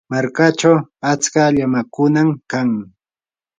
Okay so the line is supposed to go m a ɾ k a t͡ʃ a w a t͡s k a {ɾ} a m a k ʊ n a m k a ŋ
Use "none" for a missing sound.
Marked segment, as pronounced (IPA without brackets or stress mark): ʎ